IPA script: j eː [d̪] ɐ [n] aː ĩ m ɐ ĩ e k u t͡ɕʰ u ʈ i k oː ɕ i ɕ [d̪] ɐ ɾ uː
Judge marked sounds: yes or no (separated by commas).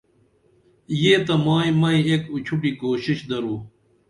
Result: no, no, yes